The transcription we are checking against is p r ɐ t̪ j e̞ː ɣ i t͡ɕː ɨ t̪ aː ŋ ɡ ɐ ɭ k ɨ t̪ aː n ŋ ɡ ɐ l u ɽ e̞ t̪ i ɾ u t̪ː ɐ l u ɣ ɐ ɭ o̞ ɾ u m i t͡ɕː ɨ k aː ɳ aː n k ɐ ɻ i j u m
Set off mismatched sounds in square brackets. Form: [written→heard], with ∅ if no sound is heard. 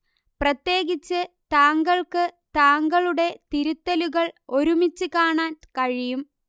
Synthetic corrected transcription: p r ɐ t̪ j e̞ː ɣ i t͡ɕː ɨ t̪ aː ŋ ɡ ɐ ɭ k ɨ t̪ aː [n→∅] ŋ ɡ ɐ [l→ɭ] u ɽ e̞ t̪ i ɾ u t̪ː ɐ l u ɣ ɐ ɭ o̞ ɾ u m i t͡ɕː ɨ k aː ɳ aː n k ɐ ɻ i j u m